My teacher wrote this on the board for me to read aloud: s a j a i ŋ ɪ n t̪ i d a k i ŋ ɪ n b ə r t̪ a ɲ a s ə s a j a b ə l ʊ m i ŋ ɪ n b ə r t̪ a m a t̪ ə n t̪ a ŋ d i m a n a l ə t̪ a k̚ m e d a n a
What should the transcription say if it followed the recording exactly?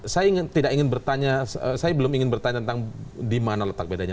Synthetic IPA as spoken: s a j a i ŋ ɪ n t̪ i d a k i ŋ ɪ n b ə r t̪ a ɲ a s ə s a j a b ə l ʊ m i ŋ ɪ n b ə r t̪ a ɲ a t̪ ə n t̪ a ŋ d i m a n a l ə t̪ a k̚ b e d a ɲ a